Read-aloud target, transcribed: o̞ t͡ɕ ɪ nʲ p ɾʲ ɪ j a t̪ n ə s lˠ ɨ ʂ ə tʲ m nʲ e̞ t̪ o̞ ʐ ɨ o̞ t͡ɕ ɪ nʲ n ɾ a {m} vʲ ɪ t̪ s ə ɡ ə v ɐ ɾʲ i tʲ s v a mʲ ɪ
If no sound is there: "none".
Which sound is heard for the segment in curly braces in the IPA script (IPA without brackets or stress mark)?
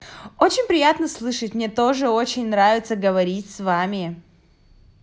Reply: none